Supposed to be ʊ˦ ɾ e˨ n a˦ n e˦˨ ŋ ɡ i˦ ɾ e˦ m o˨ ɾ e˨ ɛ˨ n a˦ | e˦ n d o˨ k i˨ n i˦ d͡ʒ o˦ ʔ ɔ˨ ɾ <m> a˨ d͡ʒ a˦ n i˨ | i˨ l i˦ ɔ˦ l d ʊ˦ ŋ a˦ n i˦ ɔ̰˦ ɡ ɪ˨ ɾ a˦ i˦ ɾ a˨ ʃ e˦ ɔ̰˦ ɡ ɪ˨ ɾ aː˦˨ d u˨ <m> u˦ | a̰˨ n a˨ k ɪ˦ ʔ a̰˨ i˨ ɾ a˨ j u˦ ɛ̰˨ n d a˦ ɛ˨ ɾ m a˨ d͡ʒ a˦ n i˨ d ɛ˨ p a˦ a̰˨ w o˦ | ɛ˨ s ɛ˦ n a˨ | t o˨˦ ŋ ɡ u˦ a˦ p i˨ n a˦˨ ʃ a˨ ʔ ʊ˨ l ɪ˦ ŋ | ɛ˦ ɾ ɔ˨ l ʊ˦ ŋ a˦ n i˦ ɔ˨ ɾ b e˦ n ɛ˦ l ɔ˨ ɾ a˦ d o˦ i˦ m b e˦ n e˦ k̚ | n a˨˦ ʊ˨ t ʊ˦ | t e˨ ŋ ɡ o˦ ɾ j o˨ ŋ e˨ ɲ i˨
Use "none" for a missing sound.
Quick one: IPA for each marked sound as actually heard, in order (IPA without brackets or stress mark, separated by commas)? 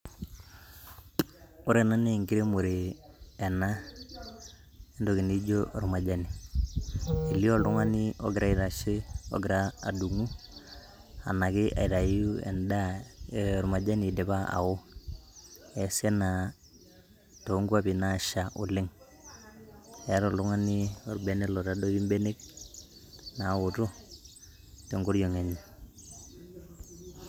m, ŋ